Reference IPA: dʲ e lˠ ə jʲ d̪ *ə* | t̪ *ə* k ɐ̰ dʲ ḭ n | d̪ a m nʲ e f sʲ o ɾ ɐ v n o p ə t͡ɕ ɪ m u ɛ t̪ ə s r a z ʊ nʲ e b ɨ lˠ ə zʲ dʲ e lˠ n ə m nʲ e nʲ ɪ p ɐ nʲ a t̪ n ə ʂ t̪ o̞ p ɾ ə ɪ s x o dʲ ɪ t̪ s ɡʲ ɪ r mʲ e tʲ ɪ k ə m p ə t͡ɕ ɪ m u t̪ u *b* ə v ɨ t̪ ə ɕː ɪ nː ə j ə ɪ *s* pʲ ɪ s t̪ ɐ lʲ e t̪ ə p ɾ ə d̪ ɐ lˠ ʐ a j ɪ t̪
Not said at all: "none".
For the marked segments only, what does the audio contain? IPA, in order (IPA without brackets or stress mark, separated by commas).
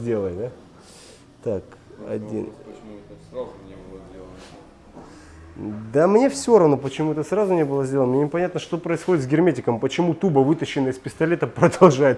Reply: a, a, b, s